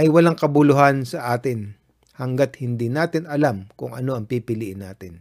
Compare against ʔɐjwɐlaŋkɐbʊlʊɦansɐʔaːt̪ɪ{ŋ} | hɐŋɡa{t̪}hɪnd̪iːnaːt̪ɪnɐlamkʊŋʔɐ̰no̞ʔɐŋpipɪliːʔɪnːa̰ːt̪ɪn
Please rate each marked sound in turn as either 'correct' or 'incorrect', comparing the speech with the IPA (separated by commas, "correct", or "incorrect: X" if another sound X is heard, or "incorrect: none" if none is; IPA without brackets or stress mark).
incorrect: n, correct